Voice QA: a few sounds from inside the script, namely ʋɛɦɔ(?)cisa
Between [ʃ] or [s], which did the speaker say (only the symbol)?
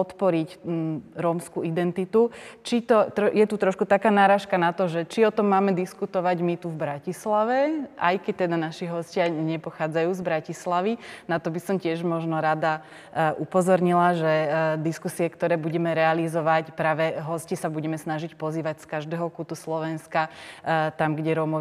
s